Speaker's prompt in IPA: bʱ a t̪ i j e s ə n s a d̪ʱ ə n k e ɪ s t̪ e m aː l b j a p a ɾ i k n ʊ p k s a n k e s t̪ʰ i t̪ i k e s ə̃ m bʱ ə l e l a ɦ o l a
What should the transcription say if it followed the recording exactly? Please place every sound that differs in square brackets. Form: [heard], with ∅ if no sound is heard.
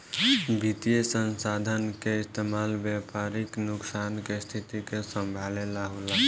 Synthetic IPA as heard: bʱ [i] t̪ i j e s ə n s a d̪ʱ ə n k e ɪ s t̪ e m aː l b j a p a ɾ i k n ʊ [∅] k s a n k e s t̪ʰ i t̪ i k e s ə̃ m bʱ [a] l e l a ɦ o l a